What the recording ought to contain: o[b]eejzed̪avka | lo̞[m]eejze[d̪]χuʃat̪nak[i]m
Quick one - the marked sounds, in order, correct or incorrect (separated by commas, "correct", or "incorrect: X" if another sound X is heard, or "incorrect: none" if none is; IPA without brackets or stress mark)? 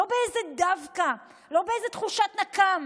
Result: correct, incorrect: b, incorrect: t̪, incorrect: a